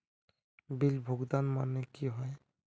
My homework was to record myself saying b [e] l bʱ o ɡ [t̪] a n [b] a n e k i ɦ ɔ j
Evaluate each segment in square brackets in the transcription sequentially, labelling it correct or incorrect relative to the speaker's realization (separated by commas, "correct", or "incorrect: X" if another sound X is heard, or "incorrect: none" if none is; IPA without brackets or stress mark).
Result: incorrect: i, incorrect: d̪, incorrect: m